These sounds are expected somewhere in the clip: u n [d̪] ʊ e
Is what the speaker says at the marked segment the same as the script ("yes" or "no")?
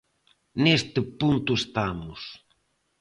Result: no